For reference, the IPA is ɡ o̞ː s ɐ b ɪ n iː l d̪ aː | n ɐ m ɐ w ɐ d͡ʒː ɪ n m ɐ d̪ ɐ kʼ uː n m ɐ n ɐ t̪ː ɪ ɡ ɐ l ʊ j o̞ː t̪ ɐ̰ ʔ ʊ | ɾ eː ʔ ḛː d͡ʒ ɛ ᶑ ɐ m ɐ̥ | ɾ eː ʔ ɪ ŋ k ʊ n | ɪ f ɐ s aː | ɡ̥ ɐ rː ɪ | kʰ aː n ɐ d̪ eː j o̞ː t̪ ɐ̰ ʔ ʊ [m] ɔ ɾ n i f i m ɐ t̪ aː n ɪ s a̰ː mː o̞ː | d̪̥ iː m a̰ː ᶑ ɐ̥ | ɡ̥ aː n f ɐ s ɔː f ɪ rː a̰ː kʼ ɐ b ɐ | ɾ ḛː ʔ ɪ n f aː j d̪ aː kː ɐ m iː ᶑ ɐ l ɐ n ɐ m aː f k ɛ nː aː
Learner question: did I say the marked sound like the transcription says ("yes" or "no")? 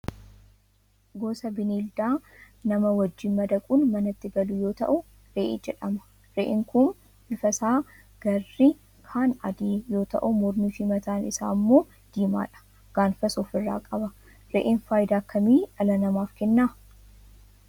yes